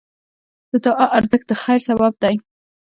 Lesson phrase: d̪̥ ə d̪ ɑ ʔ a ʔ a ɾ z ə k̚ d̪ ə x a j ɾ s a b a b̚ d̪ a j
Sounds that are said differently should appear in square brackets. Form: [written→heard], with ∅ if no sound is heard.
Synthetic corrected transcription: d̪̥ ə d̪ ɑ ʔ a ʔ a ɾ z ə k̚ d̪ ə x a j ɾ s a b a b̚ d̪ a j